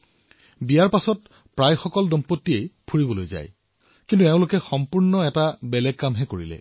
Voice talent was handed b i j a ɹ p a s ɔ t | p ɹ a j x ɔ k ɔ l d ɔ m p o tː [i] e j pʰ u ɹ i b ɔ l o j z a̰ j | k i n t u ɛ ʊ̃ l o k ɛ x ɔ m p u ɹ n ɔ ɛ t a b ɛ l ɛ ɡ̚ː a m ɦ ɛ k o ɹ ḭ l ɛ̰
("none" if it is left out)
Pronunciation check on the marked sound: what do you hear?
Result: i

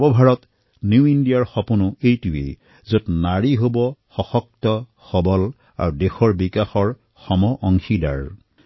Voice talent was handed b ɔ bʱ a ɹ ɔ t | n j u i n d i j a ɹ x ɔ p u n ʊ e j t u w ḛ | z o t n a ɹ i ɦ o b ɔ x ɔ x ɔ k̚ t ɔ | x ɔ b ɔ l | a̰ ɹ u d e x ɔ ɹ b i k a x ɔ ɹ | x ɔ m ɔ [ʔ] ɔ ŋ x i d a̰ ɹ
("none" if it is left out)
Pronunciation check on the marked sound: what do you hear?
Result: ʔ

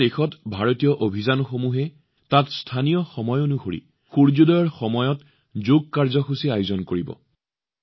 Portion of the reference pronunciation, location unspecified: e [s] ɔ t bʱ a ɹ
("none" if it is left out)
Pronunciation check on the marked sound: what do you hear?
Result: x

